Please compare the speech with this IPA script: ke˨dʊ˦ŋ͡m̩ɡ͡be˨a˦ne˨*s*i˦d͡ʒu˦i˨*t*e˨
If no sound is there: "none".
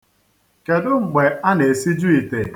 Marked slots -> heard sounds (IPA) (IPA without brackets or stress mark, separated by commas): s, t